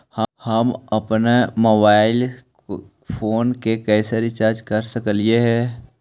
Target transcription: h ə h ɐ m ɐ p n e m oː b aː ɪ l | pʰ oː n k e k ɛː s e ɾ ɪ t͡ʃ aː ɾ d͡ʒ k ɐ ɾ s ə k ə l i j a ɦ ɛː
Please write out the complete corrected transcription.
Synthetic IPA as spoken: h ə h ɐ m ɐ p n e m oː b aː ɪ l | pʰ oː n k e k ɛː s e ɾ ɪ t͡ʃ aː ɾ d͡ʒ k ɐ ɾ s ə k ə l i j e ɦ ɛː